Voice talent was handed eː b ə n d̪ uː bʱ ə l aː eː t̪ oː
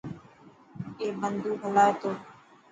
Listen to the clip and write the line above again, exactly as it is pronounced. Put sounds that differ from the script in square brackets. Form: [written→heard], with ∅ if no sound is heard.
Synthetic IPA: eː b ə n d̪ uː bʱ ə l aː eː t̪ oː